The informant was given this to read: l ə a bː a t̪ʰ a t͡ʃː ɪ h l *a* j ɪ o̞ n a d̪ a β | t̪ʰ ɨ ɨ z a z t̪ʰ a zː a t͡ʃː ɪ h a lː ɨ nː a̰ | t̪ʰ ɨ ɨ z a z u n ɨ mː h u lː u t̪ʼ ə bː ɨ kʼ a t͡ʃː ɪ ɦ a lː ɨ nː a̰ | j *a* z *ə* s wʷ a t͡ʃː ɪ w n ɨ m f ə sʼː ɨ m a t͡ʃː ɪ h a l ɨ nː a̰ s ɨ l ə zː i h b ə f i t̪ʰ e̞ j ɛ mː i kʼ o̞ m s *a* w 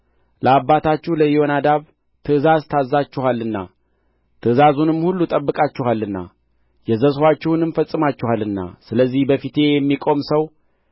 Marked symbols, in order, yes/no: no, no, yes, no

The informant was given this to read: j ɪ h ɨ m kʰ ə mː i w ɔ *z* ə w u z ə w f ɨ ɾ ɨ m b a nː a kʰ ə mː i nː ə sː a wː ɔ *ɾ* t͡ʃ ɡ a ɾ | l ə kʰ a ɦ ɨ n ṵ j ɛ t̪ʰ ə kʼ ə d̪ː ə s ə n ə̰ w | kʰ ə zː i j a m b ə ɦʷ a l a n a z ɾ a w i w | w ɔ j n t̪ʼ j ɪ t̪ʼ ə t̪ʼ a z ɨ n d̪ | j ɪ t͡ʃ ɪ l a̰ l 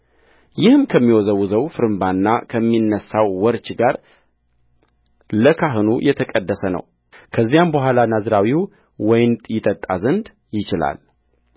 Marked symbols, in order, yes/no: yes, yes

